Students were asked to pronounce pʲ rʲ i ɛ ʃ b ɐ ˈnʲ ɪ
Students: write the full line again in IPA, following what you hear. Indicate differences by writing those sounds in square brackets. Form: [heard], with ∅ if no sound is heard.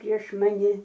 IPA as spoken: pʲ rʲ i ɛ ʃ [m] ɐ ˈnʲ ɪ

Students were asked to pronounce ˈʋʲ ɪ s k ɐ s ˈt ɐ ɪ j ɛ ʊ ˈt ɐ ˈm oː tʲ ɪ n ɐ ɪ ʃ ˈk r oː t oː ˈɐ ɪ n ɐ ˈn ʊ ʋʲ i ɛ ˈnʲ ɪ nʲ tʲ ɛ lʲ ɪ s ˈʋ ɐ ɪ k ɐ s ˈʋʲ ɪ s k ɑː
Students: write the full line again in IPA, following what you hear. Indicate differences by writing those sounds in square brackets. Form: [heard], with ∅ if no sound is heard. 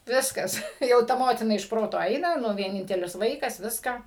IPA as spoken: ˈʋʲ ɪ s k ɐ s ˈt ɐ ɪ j ɛ ʊ ˈt ɐ ˈm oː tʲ ɪ n ɐ ɪ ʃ [ˈp] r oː t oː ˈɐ ɪ n ɐ ˈn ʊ ʋʲ i ɛ ˈnʲ ɪ nʲ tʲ ɛ lʲ ɪ s ˈʋ ɐ ɪ k ɐ s ˈʋʲ ɪ s k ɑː

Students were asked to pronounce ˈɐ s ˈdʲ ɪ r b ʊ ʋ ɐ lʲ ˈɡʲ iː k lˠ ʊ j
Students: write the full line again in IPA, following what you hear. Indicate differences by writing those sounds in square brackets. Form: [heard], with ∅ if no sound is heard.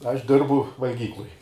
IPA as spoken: ˈɐ [ʃ] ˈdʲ ɪ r b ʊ ʋ ɐ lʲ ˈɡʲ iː k lˠ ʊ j

